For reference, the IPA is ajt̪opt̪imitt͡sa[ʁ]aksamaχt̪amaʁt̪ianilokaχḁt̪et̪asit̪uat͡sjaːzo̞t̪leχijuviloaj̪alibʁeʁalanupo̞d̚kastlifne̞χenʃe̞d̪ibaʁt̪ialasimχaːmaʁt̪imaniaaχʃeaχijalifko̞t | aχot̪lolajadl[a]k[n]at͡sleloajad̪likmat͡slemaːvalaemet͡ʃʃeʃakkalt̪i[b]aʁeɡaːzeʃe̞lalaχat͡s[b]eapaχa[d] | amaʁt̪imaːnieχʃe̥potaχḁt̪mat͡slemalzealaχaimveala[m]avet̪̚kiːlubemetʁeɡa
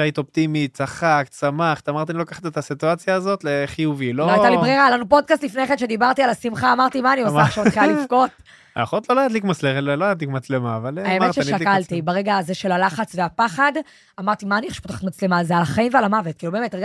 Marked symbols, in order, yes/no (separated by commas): no, no, no, yes, no, yes, yes